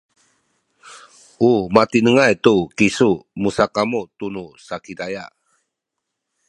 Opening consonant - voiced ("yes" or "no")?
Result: yes